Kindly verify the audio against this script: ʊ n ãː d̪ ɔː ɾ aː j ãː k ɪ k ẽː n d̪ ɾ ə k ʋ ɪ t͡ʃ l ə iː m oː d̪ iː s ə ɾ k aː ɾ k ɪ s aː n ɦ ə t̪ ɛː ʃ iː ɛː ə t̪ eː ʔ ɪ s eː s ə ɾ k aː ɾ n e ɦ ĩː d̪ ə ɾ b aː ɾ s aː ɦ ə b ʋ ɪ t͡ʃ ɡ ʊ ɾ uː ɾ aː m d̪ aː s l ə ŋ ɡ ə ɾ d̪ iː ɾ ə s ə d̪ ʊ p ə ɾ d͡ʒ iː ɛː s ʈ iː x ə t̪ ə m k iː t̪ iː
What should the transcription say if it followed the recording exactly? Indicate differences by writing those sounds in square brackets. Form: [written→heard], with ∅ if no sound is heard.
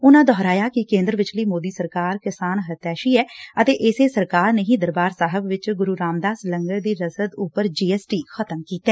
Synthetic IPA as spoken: ʊ n ãː d̪ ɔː ɾ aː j [ãː→aː] k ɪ k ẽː n d̪ ɾ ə [k→∅] ʋ ɪ t͡ʃ l ə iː m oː d̪ iː s ə ɾ k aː ɾ k ɪ s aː n ɦ ə t̪ ɛː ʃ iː ɛː ə t̪ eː ʔ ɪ s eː s ə ɾ k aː ɾ n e ɦ ĩː d̪ ə ɾ b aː ɾ s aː ɦ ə b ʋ ɪ t͡ʃ ɡ ʊ ɾ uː ɾ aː m d̪ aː s l ə ŋ ɡ ə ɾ d̪ iː ɾ ə s ə d̪ ʊ p ə ɾ d͡ʒ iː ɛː s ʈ iː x ə t̪ ə m k iː t̪ [iː→ɛː]